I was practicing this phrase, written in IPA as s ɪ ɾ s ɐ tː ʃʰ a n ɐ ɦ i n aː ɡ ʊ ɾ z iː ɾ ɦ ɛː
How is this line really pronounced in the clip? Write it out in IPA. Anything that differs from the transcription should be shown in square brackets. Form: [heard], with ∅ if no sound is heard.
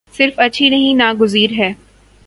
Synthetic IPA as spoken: s ɪ ɾ [f] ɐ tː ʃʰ [i] n ɐ ɦ [ĩ] n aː ɡ ʊ [∅] z iː ɾ ɦ ɛː